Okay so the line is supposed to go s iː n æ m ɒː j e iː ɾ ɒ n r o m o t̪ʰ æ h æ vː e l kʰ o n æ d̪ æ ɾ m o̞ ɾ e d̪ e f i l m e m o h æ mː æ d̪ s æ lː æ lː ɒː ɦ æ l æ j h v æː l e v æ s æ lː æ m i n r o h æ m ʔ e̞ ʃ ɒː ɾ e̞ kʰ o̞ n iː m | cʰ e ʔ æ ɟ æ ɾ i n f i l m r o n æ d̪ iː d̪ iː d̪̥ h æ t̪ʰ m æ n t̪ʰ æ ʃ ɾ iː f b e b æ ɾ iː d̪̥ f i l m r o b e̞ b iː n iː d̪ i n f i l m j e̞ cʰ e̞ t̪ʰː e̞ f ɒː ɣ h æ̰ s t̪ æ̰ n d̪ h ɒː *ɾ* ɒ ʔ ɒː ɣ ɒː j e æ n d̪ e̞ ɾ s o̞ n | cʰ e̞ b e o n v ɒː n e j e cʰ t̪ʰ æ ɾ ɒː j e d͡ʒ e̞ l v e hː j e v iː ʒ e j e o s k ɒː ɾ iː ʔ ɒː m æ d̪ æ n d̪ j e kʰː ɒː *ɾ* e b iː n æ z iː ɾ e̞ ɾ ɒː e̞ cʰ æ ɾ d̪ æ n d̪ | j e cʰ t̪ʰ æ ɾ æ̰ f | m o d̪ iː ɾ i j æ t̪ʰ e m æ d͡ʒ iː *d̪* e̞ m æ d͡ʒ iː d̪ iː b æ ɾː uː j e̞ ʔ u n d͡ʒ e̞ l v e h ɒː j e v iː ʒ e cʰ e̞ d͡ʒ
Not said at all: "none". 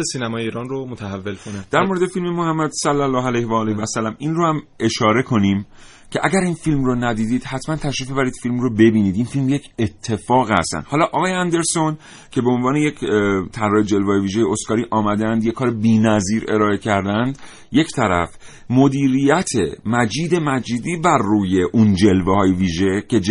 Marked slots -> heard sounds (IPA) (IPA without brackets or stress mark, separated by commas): l, ɾ, d̪